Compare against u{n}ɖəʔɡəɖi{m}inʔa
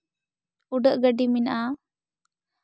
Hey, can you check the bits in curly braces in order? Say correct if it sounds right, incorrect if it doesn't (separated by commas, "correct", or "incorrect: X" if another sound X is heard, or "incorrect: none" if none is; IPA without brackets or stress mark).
incorrect: none, correct